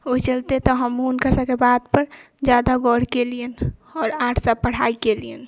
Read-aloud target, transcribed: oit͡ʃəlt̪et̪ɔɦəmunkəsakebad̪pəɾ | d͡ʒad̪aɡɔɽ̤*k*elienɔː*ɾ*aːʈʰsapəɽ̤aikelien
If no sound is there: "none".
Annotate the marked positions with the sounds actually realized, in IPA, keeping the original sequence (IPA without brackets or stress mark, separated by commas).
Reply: k, ɾ